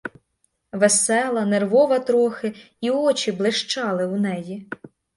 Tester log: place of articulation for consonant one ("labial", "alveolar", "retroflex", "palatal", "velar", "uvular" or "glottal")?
labial